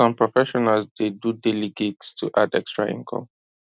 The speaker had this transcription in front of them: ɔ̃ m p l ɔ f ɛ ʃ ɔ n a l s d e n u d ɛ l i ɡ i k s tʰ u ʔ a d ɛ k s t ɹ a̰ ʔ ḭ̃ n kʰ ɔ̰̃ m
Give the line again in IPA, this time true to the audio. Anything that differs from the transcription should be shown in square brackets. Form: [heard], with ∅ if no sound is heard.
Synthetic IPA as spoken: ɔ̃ m p [ɹ] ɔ f ɛ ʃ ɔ n a l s d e [d] u d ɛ l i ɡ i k s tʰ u ʔ a d ɛ k s t ɹ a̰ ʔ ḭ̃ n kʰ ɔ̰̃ m